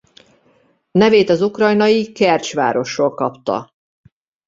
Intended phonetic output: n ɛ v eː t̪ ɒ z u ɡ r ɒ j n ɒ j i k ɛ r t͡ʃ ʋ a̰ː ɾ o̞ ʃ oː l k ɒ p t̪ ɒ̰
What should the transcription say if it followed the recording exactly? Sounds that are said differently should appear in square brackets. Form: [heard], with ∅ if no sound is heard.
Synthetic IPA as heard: n ɛ v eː t̪ ɒ z u [k] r ɒ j n ɒ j i k ɛ r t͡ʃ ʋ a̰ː ɾ o̞ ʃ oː l k ɒ p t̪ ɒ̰